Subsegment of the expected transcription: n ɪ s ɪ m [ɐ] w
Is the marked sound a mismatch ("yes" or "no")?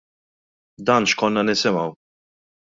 no